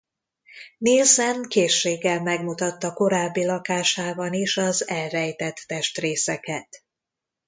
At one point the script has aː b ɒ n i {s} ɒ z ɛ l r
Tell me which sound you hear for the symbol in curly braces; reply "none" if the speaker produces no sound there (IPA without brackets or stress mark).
ʃ